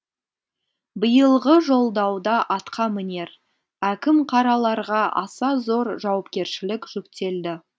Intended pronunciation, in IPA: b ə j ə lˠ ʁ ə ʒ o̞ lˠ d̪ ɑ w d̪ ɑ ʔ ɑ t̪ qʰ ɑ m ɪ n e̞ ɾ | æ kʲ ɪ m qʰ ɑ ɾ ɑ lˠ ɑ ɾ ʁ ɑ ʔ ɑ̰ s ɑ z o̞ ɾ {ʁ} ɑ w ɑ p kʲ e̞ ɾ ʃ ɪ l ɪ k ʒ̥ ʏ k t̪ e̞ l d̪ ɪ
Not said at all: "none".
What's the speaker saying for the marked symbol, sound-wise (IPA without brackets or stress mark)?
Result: ʒ